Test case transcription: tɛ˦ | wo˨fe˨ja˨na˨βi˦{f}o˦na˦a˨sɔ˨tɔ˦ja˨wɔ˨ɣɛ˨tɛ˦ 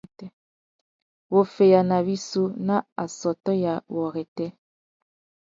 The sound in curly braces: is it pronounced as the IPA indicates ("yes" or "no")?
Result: no